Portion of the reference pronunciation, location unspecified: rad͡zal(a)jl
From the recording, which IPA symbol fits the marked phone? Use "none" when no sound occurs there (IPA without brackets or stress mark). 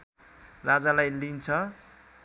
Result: a